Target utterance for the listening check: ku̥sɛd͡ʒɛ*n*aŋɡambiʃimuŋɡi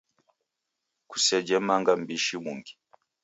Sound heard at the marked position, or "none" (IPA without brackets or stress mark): m